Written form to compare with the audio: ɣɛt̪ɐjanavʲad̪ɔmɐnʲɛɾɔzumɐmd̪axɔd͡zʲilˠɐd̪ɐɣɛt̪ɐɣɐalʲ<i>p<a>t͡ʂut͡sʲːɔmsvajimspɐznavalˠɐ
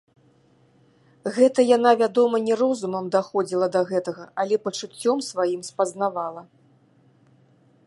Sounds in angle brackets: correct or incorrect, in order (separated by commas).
incorrect, incorrect